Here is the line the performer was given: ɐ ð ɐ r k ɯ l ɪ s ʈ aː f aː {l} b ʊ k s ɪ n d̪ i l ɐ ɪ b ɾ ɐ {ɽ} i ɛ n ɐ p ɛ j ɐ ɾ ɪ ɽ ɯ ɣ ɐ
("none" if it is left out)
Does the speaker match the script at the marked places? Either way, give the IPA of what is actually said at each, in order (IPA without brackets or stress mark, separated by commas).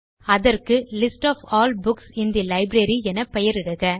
l, ɾ